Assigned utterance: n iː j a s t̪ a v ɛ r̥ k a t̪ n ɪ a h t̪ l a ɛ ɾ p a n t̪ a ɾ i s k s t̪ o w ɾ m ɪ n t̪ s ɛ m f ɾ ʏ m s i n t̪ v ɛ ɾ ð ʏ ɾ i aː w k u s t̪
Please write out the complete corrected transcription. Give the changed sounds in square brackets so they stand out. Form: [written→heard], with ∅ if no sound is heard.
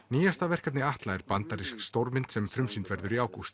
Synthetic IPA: n iː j a s t̪ a v ɛ r̥ k a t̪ n ɪ a h t̪ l a ɛ ɾ p a n t̪ a ɾ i s k s t̪ o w ɾ m ɪ n t̪ s ɛ m f ɾ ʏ m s i n t̪ v ɛ ɾ ð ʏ ɾ i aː w k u s t̪